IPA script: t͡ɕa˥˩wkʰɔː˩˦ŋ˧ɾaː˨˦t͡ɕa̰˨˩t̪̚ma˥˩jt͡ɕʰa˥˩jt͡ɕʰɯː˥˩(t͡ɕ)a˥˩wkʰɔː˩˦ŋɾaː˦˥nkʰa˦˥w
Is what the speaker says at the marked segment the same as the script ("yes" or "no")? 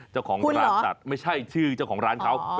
yes